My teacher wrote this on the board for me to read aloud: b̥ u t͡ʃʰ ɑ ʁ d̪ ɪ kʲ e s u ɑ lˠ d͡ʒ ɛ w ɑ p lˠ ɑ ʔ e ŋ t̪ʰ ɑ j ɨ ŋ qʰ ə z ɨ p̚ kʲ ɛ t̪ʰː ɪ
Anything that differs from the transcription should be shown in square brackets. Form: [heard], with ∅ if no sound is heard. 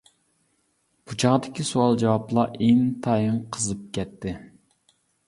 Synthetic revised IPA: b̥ u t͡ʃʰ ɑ ʁ d̪ ɪ kʲ [i] s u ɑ lˠ d͡ʒ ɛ w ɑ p lˠ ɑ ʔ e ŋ t̪ʰ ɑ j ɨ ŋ qʰ ə z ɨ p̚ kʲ ɛ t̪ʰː ɪ